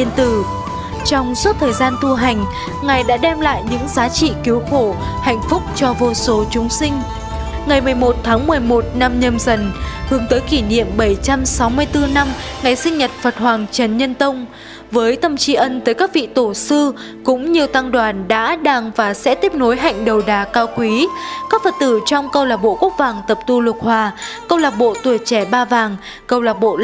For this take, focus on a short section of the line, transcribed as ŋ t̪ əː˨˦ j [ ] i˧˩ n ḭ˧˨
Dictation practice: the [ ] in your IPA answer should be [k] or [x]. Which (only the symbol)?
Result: k